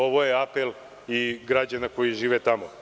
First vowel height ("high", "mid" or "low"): mid